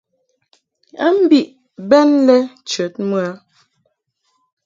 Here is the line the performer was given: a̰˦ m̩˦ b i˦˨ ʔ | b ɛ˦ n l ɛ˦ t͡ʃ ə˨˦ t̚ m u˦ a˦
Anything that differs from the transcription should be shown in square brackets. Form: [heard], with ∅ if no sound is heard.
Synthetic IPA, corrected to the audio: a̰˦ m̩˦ b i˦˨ ʔ | b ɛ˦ n l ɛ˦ t͡ʃ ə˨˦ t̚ m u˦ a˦